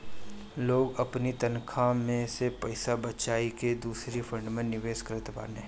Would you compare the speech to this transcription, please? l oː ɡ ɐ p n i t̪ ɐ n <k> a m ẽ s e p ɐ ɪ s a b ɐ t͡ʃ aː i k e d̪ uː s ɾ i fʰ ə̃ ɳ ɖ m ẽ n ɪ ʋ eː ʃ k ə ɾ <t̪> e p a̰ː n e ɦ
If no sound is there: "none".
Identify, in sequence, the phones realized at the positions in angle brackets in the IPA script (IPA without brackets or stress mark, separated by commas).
kʰ, t̪